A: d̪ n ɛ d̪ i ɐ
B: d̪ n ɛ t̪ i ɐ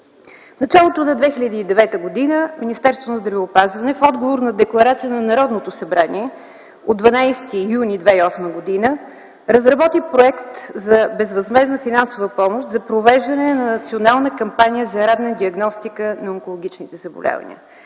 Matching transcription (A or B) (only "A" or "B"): A